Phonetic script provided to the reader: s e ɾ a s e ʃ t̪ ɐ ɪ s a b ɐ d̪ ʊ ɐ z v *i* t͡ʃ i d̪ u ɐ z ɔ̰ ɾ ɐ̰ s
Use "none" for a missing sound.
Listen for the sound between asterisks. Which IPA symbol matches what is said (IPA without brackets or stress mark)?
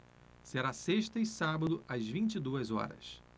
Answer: ĩ